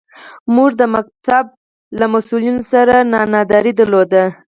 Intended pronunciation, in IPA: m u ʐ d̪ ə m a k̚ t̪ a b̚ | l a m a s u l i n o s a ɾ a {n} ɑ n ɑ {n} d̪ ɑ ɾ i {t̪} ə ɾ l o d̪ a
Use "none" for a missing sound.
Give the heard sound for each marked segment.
n, none, d̪

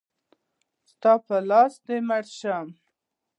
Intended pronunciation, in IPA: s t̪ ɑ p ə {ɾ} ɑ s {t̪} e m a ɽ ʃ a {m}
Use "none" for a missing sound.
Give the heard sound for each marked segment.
l, d̪, m

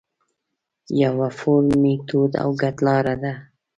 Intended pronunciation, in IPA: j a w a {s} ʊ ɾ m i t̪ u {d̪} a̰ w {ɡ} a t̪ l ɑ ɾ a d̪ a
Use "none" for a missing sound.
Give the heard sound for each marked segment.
f, d̪, ɡ

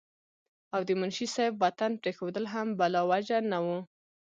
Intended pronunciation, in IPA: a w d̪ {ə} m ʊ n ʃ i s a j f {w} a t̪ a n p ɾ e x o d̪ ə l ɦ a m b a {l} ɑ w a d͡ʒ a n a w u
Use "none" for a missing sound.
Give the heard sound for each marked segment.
ə, w, l

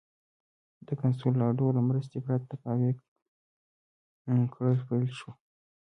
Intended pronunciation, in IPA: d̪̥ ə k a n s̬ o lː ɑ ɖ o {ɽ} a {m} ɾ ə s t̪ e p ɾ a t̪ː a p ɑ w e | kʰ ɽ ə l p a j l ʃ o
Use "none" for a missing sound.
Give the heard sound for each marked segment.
l, m

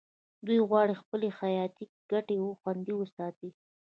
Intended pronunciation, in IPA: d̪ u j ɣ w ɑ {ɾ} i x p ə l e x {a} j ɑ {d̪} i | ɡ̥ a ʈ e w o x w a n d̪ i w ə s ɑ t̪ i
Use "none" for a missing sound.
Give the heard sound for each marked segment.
ɽ, a, t̪

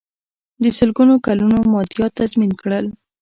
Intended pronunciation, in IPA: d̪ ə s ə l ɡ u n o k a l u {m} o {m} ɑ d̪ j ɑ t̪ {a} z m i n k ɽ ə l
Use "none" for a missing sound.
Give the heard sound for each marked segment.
n, m, a

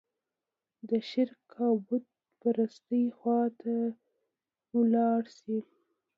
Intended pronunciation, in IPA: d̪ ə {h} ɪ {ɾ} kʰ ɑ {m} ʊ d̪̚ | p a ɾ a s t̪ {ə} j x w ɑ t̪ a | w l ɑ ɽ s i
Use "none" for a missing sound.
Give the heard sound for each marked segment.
ʃ, ɾ, b, ə

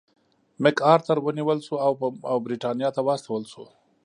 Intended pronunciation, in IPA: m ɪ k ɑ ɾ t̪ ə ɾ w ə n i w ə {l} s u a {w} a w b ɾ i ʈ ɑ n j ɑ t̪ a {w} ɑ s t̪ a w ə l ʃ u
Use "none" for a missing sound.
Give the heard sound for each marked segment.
l, w, w

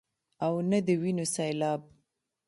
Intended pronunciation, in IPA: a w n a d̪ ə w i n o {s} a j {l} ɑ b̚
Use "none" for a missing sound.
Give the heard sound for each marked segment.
s, l

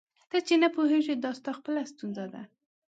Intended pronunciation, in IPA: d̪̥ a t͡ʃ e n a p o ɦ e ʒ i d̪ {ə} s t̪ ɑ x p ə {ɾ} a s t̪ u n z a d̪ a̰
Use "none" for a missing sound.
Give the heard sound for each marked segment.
ɑ, l

